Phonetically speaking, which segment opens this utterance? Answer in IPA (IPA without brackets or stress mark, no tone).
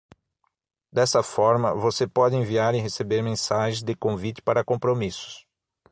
d̪